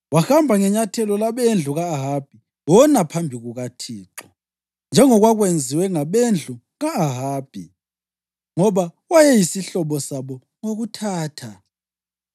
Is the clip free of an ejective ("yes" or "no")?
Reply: yes